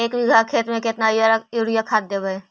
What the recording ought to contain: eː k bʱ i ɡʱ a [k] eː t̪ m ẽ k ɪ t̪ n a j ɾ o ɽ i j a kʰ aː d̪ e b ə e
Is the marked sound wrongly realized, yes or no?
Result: yes